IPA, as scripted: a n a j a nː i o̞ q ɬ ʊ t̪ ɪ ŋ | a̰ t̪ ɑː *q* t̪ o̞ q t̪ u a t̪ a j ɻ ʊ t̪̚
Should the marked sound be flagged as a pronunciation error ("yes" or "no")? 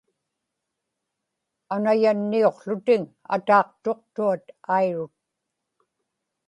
no